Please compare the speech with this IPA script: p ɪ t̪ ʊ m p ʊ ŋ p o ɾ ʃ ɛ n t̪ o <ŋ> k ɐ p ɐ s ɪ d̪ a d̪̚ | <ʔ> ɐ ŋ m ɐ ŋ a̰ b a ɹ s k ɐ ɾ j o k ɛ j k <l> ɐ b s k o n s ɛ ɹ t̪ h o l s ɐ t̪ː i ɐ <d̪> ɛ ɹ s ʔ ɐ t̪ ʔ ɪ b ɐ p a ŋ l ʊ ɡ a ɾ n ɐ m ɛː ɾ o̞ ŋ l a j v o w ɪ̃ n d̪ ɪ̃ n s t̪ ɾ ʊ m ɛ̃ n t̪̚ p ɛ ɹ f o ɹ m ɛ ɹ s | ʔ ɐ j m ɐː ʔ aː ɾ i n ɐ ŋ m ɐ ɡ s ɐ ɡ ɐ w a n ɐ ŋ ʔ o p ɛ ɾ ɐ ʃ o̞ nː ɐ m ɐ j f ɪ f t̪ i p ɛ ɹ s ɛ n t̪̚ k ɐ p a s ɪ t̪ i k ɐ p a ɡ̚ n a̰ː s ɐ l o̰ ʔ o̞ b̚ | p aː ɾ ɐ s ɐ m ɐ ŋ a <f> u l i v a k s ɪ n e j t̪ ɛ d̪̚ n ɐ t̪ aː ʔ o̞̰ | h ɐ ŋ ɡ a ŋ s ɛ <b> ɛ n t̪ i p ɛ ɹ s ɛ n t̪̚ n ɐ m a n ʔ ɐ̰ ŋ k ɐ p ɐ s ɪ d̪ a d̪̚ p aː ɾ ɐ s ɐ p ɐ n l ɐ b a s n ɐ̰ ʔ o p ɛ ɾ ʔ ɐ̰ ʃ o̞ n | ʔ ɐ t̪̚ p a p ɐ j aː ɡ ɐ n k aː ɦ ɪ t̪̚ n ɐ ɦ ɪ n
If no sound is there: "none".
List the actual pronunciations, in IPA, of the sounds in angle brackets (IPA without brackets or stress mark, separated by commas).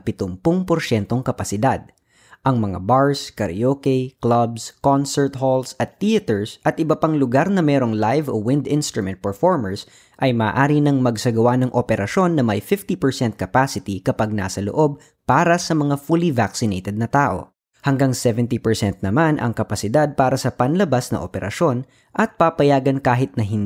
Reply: ŋ, ʔ, l, t̪, f, v